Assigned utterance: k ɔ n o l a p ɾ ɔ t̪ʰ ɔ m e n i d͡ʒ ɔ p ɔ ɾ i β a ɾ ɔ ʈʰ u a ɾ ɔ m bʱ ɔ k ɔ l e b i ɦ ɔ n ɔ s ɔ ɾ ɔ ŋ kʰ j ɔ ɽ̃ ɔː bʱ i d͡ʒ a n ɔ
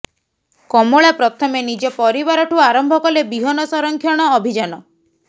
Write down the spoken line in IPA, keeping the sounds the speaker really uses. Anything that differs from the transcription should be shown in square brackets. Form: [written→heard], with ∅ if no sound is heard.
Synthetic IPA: k ɔ [n→m] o [l→ɭ] a p ɾ ɔ t̪ʰ ɔ m e n i d͡ʒ ɔ p ɔ ɾ i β a ɾ ɔ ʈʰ u a ɾ ɔ m bʱ ɔ k ɔ l e b i ɦ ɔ n ɔ s ɔ ɾ ɔ ŋ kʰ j ɔ ɽ̃ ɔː bʱ i d͡ʒ a n ɔ